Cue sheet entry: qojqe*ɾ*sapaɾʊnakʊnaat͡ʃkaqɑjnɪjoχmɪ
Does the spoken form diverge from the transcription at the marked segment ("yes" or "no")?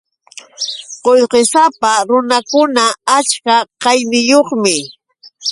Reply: yes